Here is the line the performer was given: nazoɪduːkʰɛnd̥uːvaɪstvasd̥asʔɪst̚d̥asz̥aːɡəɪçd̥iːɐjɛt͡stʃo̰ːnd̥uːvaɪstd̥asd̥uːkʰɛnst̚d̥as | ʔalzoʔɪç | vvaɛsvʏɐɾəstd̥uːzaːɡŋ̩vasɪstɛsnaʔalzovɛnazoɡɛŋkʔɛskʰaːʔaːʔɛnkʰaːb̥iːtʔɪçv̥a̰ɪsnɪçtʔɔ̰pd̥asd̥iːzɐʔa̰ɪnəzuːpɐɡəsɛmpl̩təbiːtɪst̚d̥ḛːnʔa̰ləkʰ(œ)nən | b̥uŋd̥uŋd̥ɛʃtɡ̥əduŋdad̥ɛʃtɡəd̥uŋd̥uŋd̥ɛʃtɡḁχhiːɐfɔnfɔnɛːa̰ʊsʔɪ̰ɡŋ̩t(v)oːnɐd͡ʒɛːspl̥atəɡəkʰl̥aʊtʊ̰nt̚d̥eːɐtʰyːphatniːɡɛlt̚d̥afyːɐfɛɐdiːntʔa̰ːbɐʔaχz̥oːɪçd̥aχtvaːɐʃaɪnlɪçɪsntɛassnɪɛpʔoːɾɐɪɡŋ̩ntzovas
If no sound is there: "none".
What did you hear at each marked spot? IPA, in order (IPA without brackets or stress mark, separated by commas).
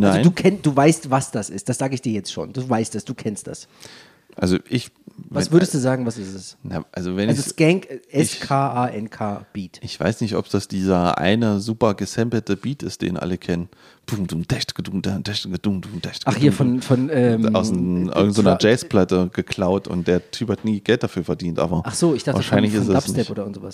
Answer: ɛ, z